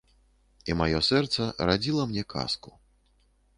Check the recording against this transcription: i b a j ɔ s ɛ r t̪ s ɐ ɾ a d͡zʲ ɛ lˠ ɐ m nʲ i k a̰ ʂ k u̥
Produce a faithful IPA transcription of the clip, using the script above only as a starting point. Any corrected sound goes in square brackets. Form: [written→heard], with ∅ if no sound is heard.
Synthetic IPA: i [b→m] a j ɔ s ɛ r t̪ s ɐ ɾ a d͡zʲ [ɛ→i] lˠ ɐ m nʲ [i→ɛ] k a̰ [ʂ→s] k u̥